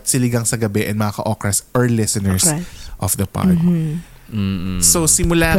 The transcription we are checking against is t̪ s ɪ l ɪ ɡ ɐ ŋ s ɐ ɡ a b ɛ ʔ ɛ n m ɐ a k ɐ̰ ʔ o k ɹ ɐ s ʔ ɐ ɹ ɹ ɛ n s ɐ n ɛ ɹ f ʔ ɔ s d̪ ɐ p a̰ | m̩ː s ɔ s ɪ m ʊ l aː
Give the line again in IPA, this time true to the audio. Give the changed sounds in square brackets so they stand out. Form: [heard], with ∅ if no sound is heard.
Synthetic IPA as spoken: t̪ s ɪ l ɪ ɡ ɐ ŋ s ɐ ɡ [ɐ] b ɛ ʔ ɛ n m ɐ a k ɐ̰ ʔ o k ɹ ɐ s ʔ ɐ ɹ [l] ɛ [∅] s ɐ n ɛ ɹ [s] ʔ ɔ [f] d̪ ɐ p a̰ | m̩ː s [o] s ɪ m ʊ l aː